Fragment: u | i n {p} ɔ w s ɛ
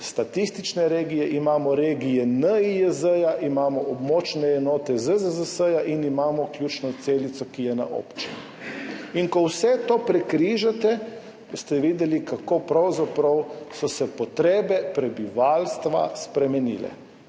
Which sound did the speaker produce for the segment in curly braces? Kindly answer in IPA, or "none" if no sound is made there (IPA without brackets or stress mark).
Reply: k